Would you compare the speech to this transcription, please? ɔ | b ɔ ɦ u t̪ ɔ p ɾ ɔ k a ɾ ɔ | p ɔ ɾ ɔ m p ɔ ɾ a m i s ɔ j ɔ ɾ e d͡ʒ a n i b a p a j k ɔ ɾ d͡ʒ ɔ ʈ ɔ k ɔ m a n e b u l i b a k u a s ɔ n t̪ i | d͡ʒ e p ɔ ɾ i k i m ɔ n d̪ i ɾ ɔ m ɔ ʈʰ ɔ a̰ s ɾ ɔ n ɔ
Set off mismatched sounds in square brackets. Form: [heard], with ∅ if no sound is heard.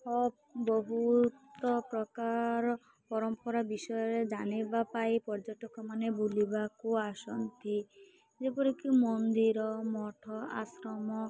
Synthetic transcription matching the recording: ɔ | b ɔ ɦ u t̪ ɔ p ɾ ɔ k a ɾ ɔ | p ɔ ɾ ɔ m p ɔ ɾ a [b] i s ɔ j ɔ ɾ e d͡ʒ a n i b a p a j [p] ɔ ɾ d͡ʒ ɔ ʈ ɔ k ɔ m a n e b u l i b a k u a s ɔ n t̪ i | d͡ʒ e p ɔ ɾ i k i m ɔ n d̪ i ɾ ɔ m ɔ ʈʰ ɔ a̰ s ɾ ɔ [m] ɔ